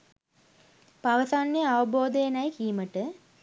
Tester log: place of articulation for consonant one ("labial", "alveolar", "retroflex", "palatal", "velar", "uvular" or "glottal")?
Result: labial